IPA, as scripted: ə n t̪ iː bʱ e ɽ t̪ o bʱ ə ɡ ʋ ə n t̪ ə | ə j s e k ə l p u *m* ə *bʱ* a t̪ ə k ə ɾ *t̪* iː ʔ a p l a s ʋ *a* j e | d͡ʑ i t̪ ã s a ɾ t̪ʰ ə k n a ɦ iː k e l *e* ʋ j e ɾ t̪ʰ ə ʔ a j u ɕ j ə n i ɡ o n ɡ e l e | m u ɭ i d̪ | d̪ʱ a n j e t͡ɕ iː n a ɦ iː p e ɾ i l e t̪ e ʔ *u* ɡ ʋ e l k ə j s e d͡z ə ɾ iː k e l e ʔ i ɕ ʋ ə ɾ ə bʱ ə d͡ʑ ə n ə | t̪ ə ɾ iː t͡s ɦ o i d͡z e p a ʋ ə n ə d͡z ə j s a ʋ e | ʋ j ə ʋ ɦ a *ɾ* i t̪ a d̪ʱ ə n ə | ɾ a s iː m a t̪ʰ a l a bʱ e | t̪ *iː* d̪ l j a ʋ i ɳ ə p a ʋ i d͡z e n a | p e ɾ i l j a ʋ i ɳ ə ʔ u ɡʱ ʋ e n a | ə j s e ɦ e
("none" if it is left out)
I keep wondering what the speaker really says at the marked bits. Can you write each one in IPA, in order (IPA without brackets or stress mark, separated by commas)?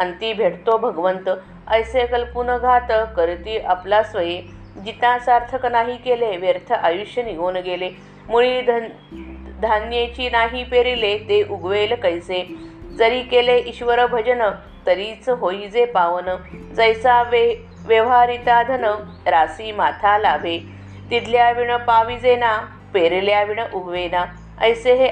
n, ɡʱ, t̪, ə, e, u, ɾ, i